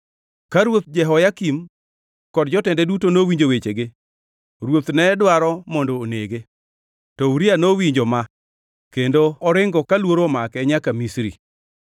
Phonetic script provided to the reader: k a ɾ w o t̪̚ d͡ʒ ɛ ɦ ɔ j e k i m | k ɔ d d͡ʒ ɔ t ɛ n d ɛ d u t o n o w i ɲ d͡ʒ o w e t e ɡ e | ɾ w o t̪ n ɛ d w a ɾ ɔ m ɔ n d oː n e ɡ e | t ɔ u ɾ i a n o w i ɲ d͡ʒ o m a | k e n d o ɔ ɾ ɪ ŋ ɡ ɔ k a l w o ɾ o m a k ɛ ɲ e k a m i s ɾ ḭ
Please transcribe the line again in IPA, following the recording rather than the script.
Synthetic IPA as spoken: k a ɾ w o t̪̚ d͡ʒ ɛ ɦ ɔ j a k i m | k ɔ d d͡ʒ ɔ t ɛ n d ɛ d u t o n o w i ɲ d͡ʒ o w e t͡ʃ e ɡ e | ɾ w o t̪ n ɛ d w a ɾ ɔ m ɔ n d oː n e ɡ e | t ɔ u ɾ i a n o w i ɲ d͡ʒ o m a | k e n d o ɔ ɾ ɪ ŋ ɡ ɔ k a l w o ɾ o m a k ɛ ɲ a k a m i s ɾ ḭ